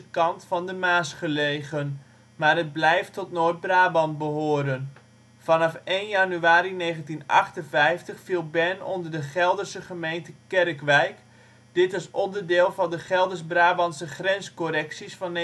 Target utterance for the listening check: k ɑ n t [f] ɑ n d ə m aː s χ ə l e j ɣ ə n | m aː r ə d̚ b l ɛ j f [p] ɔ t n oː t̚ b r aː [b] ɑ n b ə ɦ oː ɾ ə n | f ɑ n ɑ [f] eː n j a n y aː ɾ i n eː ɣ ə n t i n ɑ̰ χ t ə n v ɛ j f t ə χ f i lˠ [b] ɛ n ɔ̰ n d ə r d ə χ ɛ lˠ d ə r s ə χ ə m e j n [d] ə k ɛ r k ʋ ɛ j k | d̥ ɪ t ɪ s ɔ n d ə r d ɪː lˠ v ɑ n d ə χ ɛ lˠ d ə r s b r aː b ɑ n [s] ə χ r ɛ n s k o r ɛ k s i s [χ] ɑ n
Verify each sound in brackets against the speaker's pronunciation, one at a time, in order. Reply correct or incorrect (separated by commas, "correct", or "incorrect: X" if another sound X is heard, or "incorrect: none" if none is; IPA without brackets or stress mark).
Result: correct, incorrect: t, correct, correct, correct, incorrect: t, correct, incorrect: f